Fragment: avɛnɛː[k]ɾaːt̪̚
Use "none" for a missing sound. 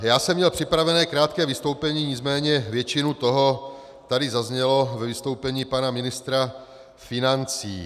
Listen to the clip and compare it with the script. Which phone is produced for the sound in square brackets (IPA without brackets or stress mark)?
k